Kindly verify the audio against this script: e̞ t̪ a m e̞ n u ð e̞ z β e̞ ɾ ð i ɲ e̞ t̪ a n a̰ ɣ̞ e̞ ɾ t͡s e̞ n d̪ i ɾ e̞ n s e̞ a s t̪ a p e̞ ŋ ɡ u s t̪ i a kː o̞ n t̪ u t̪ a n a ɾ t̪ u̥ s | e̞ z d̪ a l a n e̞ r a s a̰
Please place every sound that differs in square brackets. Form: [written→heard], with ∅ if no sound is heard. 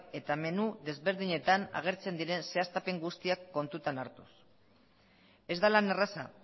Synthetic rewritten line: e̞ t̪ a m e̞ n u ð e̞ z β e̞ ɾ ð i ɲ e̞ t̪ a n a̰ ɣ̞ e̞ ɾ t͡s e̞ n d̪ i ɾ e̞ n s e̞ a s t̪ a p e̞ ŋ ɡ u s t̪ i a kː o̞ n t̪ u t̪ a n a ɾ t̪ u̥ s | e̞ z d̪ a l a n e̞ r a s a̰